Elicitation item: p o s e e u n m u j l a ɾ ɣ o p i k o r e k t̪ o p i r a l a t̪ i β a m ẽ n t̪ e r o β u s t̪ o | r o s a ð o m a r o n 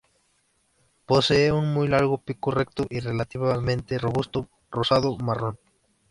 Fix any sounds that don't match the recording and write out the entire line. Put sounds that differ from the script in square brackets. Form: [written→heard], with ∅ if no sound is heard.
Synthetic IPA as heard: p o s e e u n m u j l a ɾ ɣ o p i k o r e k t̪ o [p→ʔ] i r [a→e] l a t̪ i β a m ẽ n t̪ e r o β u s t̪ o | r o s a ð o m a r o n